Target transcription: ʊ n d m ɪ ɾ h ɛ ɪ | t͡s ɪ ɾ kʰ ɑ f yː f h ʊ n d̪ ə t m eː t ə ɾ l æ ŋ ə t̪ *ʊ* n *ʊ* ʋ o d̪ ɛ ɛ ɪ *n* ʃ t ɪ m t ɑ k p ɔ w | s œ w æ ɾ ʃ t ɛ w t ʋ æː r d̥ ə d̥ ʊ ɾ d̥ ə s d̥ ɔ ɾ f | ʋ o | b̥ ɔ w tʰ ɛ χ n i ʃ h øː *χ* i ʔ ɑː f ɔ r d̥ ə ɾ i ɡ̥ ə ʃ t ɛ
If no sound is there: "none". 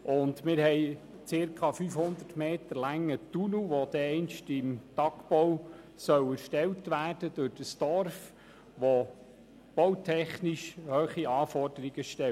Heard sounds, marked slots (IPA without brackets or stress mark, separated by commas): u, u, n, χ